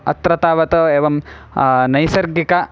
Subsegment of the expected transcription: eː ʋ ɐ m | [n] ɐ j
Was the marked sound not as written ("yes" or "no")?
no